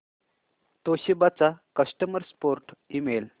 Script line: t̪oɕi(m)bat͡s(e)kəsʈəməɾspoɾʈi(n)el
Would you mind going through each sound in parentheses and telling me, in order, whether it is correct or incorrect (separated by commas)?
incorrect, incorrect, incorrect